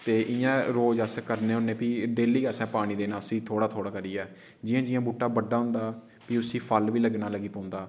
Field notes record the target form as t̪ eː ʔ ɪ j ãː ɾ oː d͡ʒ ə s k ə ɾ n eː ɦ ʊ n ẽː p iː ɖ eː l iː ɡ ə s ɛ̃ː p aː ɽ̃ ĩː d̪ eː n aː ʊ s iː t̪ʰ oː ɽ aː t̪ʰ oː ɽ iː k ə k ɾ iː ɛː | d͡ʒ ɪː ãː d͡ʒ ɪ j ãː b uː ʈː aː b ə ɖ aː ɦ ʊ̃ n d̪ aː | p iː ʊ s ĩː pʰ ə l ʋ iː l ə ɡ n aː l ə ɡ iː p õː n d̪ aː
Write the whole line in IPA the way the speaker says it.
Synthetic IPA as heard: t̪ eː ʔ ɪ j ãː ɾ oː d͡ʒ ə s k ə ɾ n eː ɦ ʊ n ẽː p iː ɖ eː l iː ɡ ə s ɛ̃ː p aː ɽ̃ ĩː d̪ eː n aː ʊ s iː t̪ʰ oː ɽ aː t̪ʰ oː ɽ aː k ə ɾ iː ɛː | d͡ʒ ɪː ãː d͡ʒ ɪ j ãː b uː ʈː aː b ə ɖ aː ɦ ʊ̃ n d̪ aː | p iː ʊ s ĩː pʰ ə l ʋ iː l ə ɡ n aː l ə ɡ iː p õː n d̪ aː